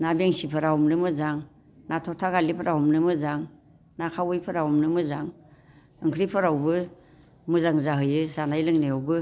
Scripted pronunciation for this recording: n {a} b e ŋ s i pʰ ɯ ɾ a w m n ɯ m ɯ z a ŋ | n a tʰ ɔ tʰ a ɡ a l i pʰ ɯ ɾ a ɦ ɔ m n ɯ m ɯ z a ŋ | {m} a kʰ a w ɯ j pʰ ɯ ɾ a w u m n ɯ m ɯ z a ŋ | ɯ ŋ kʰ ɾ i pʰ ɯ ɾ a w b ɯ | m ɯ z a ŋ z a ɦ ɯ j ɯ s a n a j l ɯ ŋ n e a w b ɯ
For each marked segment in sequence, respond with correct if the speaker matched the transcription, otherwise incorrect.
correct, incorrect: n

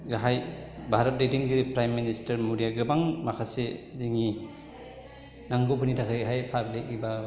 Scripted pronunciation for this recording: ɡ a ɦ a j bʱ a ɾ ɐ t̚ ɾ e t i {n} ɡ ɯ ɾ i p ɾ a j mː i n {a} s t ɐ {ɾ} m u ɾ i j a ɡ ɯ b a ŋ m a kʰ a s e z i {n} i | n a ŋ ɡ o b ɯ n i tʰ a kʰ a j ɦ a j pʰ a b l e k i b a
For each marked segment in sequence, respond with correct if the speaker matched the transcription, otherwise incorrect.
incorrect: ŋ, incorrect: i, correct, incorrect: ŋ

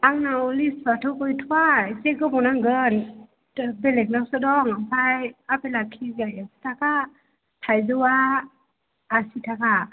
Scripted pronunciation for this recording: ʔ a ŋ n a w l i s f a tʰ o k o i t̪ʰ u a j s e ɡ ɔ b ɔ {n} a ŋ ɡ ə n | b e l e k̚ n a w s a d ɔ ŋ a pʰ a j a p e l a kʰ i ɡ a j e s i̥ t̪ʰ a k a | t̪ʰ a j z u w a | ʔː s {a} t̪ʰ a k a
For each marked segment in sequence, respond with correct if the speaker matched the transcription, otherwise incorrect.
correct, incorrect: i

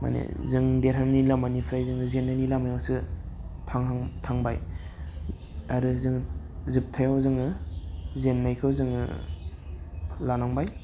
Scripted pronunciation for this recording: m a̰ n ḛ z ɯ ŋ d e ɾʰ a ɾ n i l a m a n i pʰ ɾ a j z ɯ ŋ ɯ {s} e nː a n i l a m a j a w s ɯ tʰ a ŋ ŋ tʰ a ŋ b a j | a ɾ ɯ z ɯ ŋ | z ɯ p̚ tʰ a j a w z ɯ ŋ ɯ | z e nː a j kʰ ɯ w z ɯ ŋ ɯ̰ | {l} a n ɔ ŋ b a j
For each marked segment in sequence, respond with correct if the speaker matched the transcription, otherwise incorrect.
incorrect: z, correct

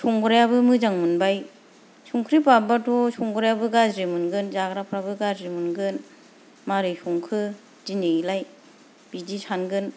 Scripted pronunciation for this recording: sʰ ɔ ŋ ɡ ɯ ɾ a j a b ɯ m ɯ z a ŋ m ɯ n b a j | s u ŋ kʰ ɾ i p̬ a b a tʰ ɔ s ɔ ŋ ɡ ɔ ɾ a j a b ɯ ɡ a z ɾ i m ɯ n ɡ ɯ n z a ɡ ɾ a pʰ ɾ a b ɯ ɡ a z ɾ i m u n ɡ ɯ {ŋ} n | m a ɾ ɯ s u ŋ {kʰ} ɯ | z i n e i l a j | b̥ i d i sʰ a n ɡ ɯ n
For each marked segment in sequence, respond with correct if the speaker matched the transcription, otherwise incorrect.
incorrect: none, correct

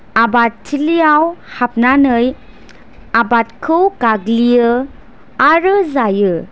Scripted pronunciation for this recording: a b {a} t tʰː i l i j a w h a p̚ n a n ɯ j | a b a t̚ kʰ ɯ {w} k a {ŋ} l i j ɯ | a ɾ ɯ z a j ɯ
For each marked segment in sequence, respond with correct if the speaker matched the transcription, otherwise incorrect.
correct, correct, incorrect: ɡ

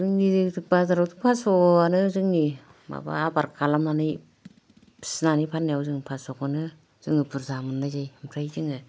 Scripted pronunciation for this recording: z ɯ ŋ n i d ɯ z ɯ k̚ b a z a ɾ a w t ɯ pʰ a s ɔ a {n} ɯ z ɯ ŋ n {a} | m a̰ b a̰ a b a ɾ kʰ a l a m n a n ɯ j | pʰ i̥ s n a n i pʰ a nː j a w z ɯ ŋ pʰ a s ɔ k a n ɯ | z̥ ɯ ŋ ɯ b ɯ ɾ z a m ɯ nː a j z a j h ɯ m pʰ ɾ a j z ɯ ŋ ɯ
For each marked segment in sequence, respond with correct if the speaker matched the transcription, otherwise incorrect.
correct, incorrect: i

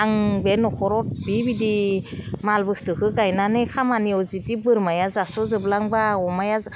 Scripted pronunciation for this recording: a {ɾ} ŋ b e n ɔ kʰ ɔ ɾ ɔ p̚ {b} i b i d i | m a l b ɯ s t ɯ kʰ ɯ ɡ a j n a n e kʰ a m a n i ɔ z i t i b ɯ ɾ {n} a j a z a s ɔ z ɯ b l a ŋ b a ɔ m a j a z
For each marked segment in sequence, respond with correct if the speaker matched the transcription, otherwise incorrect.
incorrect: none, correct, incorrect: m

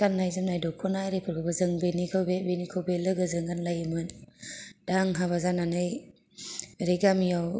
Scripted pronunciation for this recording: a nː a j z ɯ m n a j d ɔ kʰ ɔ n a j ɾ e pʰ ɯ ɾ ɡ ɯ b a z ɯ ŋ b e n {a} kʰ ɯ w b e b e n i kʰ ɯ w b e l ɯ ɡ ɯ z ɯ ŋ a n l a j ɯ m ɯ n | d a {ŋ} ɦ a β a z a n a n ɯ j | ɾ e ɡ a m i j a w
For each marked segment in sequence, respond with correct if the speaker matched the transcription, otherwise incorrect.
incorrect: i, correct

